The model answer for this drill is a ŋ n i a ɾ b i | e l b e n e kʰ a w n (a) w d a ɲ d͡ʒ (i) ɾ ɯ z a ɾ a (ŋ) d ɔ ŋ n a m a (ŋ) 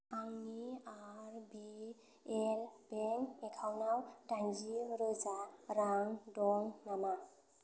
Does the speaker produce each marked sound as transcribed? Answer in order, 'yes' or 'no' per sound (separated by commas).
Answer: yes, yes, yes, no